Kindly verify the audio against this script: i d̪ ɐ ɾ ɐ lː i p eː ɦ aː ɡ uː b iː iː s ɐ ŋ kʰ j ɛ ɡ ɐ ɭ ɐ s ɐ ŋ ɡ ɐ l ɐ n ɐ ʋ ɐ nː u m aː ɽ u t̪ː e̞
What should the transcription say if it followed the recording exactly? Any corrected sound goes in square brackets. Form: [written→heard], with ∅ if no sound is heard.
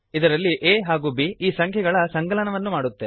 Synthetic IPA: i d̪ ɐ ɾ ɐ lː i [p→ʔ] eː ɦ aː ɡ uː b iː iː s ɐ ŋ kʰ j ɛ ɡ ɐ ɭ ɐ s ɐ ŋ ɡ ɐ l ɐ n ɐ ʋ ɐ nː u m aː ɽ u t̪ː e̞